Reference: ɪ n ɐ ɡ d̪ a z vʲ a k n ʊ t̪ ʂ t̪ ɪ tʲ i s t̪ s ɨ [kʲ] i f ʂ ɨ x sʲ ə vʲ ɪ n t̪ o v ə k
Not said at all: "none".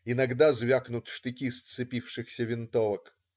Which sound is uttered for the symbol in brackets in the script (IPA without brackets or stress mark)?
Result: pʲ